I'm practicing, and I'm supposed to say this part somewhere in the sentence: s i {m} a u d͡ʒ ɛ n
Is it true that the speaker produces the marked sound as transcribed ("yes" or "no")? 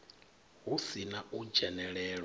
no